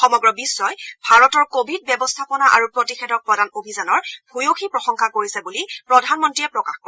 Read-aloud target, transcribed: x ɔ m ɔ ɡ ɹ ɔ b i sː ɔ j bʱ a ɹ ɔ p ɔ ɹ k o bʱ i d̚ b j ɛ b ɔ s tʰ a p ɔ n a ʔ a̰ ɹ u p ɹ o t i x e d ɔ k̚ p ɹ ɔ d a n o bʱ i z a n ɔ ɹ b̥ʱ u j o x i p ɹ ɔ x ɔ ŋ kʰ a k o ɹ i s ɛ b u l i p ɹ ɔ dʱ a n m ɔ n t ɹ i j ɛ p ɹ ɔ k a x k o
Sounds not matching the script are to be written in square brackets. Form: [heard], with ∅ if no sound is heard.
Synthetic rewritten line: x ɔ m ɔ ɡ ɹ ɔ b i sː ɔ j bʱ a ɹ ɔ [t] ɔ ɹ k o bʱ i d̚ b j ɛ b ɔ s tʰ a p ɔ n a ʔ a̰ ɹ u p ɹ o t i x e d ɔ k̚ p ɹ ɔ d a n o bʱ i z a n ɔ ɹ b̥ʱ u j o x i p ɹ ɔ x ɔ ŋ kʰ a k o ɹ i s ɛ b u l i p ɹ ɔ dʱ a n m ɔ n t ɹ i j ɛ p ɹ ɔ k a x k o

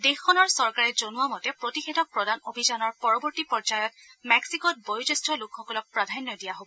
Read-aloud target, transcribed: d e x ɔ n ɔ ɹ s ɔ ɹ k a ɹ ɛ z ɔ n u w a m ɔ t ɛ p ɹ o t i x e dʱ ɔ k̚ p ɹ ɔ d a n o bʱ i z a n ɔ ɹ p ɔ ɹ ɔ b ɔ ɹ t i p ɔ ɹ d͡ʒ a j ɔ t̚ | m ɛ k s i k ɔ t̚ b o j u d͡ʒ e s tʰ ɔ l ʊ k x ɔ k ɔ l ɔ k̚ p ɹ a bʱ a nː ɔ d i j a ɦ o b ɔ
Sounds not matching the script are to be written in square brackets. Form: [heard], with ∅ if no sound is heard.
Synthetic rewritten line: d e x ɔ n ɔ ɹ s ɔ ɹ k a ɹ ɛ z [o] n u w a m ɔ t ɛ p ɹ o t i x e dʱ ɔ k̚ p ɹ ɔ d a n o bʱ i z a n ɔ ɹ p ɔ ɹ ɔ b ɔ ɹ t i p ɔ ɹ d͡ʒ a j ɔ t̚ | m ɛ k s i k ɔ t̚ b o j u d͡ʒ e s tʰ ɔ l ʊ k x ɔ k ɔ l ɔ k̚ p ɹ a [dʱ] a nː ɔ d i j a ɦ o b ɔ

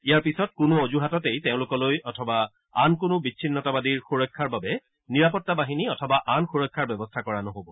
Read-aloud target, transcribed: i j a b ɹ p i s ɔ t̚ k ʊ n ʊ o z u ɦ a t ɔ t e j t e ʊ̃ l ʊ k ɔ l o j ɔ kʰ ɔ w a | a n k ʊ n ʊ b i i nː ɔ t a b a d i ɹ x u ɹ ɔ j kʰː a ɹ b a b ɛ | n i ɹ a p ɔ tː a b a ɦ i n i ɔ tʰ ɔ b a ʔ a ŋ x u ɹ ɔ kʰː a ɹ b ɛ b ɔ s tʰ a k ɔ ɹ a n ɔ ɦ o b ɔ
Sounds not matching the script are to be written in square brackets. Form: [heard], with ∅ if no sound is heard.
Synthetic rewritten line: i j a [∅] ɹ p i s ɔ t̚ k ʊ n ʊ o z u ɦ a t ɔ t e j t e ʊ̃ l ʊ k ɔ l o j ɔ [tʰ] ɔ [b] a | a n k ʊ n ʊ b i i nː ɔ t a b a d i ɹ x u ɹ ɔ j kʰː a ɹ b a b ɛ | n i ɹ a p ɔ tː a b a ɦ i n i ɔ tʰ ɔ b a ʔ a [n] x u ɹ ɔ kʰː a ɹ b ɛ b ɔ s tʰ a k ɔ ɹ a n ɔ ɦ o b ɔ

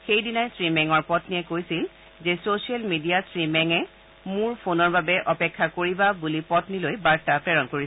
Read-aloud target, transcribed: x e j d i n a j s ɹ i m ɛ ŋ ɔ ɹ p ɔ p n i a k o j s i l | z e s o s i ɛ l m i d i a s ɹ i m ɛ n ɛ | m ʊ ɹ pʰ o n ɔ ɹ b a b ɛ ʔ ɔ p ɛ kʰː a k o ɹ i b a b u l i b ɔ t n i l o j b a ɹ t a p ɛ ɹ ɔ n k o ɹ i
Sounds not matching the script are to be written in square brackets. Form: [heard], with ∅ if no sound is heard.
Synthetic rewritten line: x e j d i n a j s ɹ i m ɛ ŋ ɔ ɹ p ɔ [t] n i [ɛ] k o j s i l | z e s o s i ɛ l m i d i a s ɹ i m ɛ [ŋ] ɛ | m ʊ ɹ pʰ o n ɔ ɹ b a b ɛ ʔ ɔ p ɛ kʰː a k o ɹ i b a b u l i [p] ɔ t n i l o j b a ɹ t a p ɛ ɹ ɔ n k o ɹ i

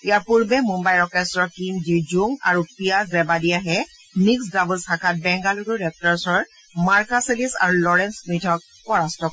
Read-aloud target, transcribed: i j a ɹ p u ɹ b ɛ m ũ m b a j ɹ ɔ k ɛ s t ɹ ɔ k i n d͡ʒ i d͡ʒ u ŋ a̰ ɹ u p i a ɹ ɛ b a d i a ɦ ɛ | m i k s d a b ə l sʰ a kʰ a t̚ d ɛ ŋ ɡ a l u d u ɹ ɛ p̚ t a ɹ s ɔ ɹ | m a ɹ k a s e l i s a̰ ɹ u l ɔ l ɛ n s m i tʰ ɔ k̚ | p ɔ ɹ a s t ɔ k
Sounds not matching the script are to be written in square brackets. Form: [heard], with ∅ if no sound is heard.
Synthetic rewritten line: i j a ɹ p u ɹ b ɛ m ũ m b a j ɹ ɔ k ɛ s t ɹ ɔ k i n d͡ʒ i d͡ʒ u ŋ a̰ ɹ u p i a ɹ ɛ b a d i a ɦ ɛ | m i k s d a b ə l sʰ a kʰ a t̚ [b] ɛ ŋ ɡ a l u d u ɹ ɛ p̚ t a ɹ s ɔ ɹ | m a ɹ k a s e l i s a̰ ɹ u l ɔ [ɹ] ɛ n s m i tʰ ɔ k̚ | p ɔ ɹ a s t ɔ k

